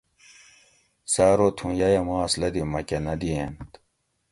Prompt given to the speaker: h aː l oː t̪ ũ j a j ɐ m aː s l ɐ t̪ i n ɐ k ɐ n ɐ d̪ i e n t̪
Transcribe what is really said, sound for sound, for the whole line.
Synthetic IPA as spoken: s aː ɾ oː t̪ʰ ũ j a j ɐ m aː s l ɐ d̪ i m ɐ k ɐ n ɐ d̪ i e n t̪